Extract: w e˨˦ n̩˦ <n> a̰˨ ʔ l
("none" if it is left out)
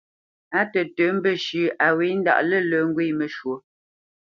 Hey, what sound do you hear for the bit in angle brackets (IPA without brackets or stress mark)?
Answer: d